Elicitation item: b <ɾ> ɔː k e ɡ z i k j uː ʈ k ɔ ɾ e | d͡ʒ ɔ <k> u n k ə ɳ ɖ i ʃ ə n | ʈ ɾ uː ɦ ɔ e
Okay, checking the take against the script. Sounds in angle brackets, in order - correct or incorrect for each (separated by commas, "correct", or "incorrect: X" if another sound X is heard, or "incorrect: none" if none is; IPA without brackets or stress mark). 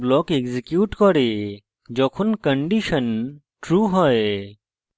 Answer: incorrect: l, incorrect: kʰ